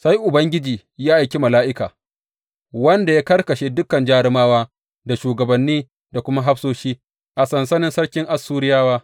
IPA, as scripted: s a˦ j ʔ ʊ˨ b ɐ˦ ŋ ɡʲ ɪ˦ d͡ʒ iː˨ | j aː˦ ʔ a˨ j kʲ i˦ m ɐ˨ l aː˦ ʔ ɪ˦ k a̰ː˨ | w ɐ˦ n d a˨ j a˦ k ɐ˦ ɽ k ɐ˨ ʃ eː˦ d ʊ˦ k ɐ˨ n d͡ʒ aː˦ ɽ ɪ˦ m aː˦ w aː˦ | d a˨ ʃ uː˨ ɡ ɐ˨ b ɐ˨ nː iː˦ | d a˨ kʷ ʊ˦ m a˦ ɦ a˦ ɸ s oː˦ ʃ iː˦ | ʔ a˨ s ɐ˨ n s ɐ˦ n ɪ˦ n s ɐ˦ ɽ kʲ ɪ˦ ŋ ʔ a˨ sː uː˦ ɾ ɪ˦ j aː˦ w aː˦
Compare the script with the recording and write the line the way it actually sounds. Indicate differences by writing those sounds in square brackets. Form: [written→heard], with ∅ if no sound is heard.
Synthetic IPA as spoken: s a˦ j ʔ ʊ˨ b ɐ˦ ŋ ɡʲ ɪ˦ d͡ʒ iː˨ | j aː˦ ʔ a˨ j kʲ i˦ m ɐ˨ l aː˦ ʔ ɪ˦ k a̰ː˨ | w ɐ˦ n d a˨ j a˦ k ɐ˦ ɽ k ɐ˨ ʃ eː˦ d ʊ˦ k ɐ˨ n d͡ʒ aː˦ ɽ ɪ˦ m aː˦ w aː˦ | d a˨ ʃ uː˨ ɡ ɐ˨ b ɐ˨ nː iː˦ | d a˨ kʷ ʊ˦ m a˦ ɦ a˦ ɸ s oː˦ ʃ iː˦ | ʔ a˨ s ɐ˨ n s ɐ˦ n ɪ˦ n s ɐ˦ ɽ kʲ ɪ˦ ŋ ʔ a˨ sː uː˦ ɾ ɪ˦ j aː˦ w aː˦